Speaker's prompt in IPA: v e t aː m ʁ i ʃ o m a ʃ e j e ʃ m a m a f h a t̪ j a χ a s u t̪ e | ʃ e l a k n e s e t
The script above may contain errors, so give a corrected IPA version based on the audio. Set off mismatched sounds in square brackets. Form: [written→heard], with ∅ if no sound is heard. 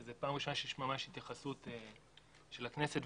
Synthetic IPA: [v→z] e [t→p] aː m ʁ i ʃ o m a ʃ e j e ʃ m a m a [f→ʃ] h [a→i] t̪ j a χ a s u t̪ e | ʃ e l a k n e s e t